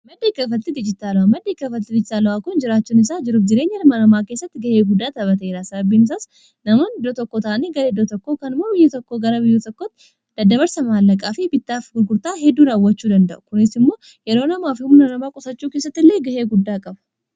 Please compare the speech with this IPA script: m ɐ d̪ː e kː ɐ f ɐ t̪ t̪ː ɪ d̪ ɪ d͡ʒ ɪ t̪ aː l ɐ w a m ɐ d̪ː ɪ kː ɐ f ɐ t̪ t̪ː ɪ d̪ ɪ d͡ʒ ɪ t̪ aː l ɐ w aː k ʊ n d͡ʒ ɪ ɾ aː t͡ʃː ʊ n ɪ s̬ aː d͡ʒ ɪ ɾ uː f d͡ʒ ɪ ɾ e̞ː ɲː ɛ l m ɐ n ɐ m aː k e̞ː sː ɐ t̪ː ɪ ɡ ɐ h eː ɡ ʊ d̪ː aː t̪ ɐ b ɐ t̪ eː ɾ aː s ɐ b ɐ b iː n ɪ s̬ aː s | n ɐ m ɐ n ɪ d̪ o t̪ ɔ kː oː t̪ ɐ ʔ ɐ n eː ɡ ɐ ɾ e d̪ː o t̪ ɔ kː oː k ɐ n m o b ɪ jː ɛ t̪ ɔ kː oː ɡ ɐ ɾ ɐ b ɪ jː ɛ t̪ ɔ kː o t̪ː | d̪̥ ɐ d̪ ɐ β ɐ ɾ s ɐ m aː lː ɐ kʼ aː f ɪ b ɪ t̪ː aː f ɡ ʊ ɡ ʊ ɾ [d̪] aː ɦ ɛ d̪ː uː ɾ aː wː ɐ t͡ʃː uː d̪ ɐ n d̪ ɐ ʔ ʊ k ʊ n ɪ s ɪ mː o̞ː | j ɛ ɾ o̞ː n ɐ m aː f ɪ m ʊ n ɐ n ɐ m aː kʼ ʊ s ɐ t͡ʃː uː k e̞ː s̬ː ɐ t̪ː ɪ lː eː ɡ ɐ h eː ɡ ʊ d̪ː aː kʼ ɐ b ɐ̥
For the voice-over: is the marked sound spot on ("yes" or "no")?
no